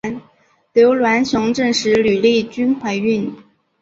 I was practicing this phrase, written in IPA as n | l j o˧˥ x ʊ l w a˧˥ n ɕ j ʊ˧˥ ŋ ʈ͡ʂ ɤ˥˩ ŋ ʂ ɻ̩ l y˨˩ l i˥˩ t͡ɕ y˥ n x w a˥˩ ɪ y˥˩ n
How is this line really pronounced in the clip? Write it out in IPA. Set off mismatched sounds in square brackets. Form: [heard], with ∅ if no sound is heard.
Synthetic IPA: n | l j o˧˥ [∅] ʊ l w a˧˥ n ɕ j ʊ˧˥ ŋ ʈ͡ʂ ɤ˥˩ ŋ ʂ ɻ̩ l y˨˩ l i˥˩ t͡ɕ y˥ n x w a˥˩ ɪ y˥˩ n